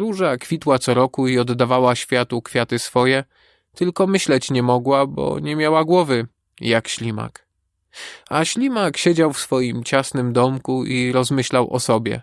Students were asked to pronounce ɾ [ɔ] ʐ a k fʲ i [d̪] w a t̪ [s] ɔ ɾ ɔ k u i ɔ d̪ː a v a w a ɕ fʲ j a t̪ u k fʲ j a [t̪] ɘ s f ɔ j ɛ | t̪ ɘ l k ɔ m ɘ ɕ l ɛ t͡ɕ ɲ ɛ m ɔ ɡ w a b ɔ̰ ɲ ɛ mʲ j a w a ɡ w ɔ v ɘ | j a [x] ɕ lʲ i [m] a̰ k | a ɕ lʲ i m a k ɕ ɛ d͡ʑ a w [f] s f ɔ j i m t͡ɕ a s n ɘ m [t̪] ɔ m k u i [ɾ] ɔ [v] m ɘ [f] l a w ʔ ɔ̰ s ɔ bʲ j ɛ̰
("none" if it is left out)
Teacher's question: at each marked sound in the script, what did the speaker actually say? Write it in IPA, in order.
u, t̪, s, t̪, k, m, f, d̪, ɾ, z, ɕ

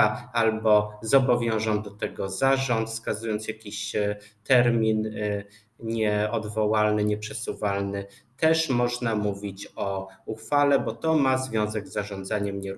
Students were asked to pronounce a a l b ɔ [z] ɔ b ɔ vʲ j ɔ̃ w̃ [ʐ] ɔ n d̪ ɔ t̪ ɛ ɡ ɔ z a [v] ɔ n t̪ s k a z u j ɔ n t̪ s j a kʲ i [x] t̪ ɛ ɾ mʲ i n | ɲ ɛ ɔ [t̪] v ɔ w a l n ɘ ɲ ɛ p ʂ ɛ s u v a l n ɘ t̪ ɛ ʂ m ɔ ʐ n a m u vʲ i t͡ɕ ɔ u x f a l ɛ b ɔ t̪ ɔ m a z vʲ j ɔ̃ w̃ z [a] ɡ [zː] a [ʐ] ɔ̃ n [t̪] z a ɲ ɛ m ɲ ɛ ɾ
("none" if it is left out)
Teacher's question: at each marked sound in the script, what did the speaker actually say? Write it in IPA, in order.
z, ʐ, ʐ, ɕ, d̪, ɛ, zː, ʐ, d̪

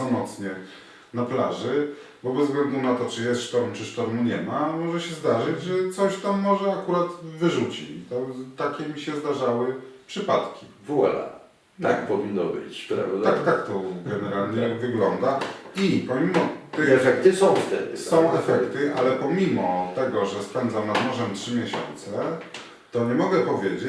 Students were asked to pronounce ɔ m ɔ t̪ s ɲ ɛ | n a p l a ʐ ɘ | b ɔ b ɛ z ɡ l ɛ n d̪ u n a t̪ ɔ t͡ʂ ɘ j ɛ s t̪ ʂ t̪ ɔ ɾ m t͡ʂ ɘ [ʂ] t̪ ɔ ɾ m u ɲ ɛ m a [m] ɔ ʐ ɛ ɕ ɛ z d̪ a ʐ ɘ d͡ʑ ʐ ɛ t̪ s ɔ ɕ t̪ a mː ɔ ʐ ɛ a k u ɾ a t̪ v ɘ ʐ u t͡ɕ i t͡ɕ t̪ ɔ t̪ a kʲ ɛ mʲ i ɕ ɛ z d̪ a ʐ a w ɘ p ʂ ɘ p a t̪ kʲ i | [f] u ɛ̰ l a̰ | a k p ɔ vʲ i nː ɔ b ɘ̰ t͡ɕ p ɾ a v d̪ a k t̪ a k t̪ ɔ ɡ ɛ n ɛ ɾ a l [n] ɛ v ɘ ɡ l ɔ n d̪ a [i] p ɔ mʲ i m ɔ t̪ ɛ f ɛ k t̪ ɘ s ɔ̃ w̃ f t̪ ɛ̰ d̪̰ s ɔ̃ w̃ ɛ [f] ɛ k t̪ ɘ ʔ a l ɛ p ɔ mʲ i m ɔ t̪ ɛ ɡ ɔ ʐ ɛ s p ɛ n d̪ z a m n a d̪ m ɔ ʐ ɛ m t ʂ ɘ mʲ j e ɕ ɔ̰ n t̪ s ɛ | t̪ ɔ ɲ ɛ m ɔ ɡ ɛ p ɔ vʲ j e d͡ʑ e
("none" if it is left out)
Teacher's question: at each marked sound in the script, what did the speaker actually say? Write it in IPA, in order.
ʂ, m, v, ɲ, i, f

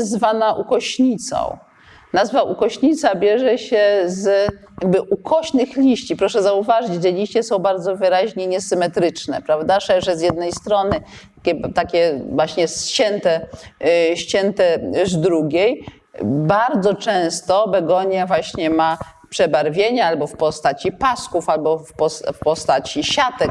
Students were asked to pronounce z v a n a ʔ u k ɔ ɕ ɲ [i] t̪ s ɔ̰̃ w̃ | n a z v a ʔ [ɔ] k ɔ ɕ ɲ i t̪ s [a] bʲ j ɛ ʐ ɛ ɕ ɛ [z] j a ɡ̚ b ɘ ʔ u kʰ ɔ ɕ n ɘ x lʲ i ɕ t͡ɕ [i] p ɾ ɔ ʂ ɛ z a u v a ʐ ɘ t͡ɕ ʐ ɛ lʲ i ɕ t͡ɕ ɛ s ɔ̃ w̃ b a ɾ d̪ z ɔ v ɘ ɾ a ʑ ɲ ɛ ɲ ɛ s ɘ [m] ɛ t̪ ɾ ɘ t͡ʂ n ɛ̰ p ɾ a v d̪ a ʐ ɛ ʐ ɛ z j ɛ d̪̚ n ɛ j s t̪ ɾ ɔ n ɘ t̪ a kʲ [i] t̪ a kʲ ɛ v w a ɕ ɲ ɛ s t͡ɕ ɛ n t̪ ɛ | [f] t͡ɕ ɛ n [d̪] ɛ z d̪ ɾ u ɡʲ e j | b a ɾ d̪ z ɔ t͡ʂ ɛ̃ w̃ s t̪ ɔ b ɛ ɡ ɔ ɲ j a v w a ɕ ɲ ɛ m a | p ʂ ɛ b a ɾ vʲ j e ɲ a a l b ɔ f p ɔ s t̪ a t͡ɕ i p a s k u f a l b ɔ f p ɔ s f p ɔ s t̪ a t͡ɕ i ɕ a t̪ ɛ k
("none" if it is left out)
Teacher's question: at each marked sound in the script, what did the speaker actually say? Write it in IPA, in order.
i, u, a, z, i, m, ɛ, ɕ, t̪

